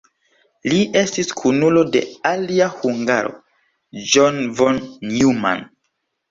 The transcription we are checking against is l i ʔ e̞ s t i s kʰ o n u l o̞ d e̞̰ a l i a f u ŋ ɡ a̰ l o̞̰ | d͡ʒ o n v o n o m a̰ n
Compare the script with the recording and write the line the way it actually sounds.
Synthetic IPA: l i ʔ e̞ s t i s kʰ u n u l o̞ d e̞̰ a l i a h u ŋ ɡ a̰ ɾ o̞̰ | d͡ʒ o n v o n u m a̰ n